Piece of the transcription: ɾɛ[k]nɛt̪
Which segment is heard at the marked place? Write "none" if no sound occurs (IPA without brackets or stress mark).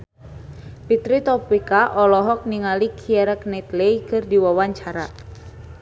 k